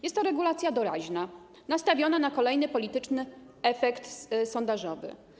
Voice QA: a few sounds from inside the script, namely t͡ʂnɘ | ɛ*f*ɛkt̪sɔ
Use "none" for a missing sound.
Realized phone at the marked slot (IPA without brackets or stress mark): f